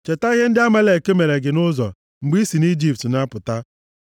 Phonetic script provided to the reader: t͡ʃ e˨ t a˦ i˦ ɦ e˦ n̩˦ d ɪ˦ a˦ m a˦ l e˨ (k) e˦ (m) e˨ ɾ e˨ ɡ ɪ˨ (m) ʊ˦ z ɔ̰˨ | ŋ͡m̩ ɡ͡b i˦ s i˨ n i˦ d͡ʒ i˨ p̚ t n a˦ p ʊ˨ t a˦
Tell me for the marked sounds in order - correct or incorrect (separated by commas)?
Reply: correct, correct, incorrect